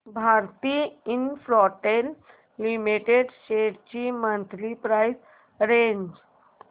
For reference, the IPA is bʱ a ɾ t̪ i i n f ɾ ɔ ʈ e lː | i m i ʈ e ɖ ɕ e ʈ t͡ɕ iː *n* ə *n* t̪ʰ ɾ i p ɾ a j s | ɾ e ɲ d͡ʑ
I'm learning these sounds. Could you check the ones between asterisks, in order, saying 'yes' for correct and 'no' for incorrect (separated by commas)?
no, yes